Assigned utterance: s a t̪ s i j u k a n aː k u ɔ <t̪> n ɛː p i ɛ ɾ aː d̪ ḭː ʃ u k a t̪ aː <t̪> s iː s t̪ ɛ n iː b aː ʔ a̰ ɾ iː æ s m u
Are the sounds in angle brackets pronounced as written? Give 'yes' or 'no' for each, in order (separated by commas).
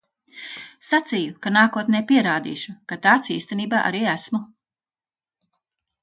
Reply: yes, yes